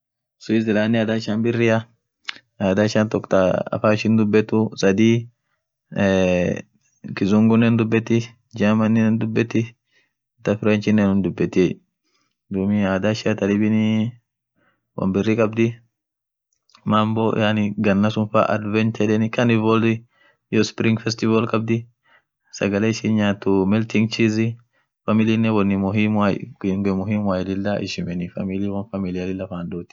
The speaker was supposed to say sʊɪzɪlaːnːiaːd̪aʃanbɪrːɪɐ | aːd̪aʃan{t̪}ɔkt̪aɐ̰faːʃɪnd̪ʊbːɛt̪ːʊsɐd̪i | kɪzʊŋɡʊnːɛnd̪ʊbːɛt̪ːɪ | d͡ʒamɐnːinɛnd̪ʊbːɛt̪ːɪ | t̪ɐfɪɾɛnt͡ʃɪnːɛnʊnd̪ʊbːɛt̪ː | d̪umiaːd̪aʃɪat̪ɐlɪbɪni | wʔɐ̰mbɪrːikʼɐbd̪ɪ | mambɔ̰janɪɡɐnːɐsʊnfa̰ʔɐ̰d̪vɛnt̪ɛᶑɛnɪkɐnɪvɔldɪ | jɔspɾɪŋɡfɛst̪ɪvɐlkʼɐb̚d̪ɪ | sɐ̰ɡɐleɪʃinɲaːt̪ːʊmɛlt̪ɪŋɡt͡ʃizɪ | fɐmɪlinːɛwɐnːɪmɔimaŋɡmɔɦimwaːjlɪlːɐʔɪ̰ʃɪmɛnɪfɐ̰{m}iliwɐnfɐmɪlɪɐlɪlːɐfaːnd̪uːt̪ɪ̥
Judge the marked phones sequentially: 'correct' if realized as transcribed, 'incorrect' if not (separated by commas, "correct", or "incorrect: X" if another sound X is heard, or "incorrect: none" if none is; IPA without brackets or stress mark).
correct, correct